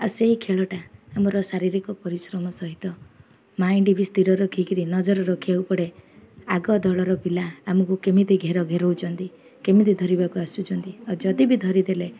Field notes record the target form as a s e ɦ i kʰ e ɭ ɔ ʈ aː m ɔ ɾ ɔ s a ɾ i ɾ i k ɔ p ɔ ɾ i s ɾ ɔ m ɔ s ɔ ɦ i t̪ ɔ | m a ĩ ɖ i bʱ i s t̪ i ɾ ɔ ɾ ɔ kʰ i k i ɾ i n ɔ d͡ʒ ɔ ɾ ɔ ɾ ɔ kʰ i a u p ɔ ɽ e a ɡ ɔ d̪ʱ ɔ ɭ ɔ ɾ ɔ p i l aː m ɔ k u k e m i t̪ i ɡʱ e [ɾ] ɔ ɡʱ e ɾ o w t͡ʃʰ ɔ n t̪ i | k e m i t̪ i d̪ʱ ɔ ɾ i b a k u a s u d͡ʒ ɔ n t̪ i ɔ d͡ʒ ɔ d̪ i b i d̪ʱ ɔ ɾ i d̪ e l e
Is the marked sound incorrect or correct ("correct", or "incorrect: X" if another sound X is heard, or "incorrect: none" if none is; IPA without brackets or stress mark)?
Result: correct